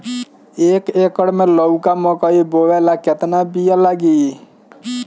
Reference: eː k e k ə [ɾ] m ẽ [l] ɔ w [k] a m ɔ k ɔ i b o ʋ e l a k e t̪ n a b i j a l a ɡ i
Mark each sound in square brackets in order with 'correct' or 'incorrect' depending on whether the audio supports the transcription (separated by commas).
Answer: incorrect, correct, correct